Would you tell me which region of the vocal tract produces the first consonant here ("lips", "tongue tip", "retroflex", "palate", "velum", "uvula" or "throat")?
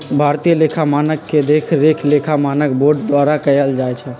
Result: lips